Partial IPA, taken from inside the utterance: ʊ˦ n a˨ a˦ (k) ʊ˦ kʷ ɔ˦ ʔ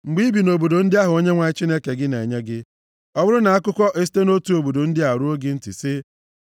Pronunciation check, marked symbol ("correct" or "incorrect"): correct